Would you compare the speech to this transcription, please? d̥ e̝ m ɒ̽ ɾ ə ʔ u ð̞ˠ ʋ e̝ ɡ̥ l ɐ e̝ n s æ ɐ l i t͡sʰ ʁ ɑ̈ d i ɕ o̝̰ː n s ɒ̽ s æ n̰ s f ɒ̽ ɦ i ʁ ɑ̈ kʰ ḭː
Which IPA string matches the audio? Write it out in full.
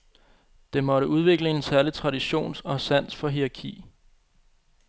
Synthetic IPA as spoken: d̥ e̝ m ɒ̽ ɾ ə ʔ u ð̞ˠ ʋ e̝ ɡ̥ l ə e̝ n s æ ɐ l i t͡sʰ ʁ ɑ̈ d i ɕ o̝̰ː n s ɒ̽ s æ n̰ s f ɒ̽ ɦ i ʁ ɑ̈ kʰ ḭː